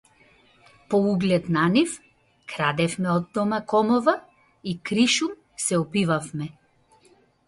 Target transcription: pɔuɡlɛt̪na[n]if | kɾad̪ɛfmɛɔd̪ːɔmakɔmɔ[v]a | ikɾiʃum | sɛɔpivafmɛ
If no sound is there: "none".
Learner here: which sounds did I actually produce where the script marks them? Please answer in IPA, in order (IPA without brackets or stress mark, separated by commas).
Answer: n, v